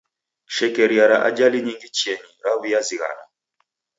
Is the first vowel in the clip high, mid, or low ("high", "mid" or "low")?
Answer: mid